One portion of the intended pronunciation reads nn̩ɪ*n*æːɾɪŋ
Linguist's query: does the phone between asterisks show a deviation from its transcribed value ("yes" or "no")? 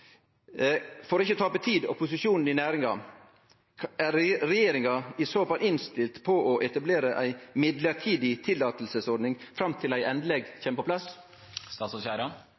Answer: no